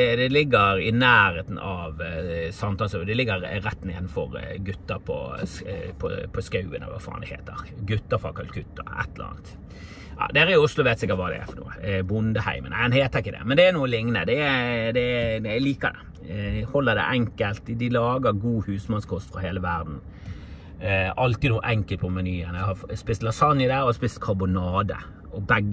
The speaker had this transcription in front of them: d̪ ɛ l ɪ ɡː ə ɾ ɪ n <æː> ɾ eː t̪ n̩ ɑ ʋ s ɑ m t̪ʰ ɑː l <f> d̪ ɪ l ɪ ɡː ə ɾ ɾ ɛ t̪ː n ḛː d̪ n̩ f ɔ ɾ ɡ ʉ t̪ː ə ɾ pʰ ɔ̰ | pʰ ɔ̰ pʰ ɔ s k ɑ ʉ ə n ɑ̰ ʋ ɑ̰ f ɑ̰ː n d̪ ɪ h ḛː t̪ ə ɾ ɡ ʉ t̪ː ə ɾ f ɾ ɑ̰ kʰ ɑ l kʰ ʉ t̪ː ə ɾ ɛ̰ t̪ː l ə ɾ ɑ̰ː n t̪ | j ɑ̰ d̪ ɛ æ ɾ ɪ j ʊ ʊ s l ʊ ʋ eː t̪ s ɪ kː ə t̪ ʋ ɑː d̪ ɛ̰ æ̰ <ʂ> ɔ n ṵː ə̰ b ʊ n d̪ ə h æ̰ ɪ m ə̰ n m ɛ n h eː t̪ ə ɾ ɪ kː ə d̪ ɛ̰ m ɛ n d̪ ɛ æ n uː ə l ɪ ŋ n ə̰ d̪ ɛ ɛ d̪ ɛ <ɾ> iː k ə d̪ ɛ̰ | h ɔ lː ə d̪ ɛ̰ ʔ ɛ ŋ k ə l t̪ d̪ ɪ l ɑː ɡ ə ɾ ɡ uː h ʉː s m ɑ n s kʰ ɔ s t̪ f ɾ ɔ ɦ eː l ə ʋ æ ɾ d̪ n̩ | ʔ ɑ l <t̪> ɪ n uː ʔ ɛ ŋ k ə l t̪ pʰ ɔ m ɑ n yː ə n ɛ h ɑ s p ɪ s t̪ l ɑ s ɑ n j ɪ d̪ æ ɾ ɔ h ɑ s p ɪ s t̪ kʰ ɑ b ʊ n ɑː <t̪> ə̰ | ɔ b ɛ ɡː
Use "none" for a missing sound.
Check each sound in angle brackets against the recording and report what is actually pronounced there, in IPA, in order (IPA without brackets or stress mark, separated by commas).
æː, s, f, l, t̪, d̪